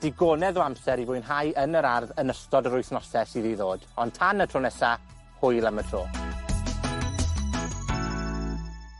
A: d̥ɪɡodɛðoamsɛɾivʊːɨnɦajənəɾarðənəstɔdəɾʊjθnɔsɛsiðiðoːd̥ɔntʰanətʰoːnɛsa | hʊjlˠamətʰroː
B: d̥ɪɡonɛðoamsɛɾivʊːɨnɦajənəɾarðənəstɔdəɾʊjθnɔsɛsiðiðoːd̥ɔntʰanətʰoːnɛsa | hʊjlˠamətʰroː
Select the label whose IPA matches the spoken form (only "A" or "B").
B